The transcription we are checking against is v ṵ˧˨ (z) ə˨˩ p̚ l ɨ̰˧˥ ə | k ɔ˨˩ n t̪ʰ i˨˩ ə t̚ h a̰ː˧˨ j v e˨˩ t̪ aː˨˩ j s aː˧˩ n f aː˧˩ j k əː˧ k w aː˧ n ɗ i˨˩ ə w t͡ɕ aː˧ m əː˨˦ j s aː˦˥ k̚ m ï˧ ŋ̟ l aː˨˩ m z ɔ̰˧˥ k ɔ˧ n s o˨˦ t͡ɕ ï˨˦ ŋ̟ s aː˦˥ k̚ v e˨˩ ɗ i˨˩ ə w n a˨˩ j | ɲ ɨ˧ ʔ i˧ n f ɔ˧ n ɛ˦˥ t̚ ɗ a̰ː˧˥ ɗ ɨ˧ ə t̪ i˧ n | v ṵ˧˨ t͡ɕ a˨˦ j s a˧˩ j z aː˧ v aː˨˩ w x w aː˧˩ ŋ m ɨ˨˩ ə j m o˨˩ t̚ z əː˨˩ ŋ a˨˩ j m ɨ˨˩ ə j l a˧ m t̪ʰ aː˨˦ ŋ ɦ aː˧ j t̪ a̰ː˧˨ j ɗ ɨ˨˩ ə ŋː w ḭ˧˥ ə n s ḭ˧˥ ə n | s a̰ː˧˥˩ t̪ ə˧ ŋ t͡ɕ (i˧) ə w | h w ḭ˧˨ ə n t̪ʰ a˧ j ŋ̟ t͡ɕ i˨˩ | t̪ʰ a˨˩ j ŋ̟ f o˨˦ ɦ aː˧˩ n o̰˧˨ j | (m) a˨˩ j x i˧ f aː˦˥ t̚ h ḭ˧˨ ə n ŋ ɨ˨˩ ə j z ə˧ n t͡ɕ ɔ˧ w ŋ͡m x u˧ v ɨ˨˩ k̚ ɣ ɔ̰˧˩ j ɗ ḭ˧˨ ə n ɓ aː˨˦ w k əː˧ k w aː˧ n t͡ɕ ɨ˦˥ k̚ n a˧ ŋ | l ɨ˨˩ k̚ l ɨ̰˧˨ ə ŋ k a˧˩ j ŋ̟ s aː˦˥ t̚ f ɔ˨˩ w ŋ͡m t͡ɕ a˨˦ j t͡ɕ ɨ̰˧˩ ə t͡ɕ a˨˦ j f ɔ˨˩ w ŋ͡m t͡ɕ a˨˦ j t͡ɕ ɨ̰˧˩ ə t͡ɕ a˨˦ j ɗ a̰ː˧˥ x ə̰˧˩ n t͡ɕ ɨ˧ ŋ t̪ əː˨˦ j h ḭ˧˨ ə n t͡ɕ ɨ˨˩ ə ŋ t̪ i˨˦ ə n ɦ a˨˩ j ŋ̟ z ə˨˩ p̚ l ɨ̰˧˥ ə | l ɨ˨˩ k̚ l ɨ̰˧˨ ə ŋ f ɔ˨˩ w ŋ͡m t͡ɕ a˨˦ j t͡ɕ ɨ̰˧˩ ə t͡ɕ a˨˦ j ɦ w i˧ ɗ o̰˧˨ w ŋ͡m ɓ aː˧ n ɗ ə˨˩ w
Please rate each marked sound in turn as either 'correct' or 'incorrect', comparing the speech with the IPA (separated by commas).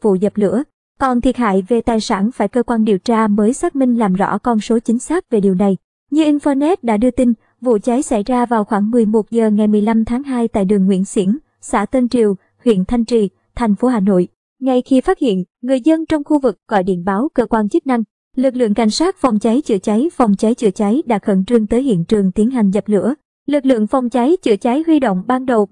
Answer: correct, incorrect, incorrect